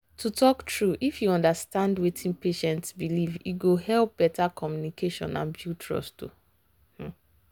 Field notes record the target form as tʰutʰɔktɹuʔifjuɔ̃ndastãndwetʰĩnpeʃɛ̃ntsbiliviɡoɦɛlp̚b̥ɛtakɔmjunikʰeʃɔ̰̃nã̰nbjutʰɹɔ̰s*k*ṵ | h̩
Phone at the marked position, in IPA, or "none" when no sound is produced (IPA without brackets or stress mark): t